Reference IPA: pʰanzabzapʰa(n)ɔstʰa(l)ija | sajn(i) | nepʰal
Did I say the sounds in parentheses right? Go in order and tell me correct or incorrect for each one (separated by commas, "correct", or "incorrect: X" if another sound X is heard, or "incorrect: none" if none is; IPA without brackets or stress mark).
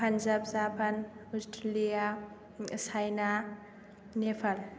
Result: correct, correct, incorrect: a